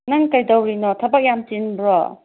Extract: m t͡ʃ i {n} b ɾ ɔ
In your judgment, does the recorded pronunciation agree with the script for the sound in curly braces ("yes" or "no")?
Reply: yes